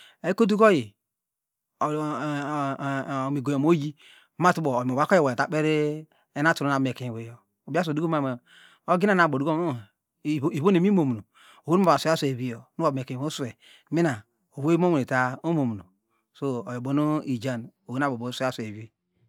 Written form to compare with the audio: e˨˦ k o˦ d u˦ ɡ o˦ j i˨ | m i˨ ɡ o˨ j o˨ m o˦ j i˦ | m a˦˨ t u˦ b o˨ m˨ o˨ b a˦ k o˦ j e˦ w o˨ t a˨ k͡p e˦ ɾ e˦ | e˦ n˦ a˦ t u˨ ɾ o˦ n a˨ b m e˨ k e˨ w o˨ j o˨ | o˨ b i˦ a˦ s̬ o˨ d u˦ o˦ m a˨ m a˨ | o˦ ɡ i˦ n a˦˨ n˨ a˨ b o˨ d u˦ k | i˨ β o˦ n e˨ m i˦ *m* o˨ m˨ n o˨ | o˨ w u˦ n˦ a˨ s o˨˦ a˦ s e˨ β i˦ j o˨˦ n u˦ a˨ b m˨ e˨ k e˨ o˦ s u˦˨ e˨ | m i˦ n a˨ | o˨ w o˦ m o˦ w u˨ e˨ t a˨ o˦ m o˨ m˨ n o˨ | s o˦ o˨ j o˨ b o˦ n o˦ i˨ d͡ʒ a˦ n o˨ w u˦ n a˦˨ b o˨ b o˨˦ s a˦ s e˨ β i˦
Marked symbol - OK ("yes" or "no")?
yes